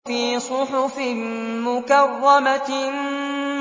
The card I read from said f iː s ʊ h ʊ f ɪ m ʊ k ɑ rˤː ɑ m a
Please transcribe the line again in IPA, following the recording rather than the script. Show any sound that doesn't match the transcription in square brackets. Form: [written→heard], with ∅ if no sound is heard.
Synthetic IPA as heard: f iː s ʊ [h→ħ] ʊ f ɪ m ʊ k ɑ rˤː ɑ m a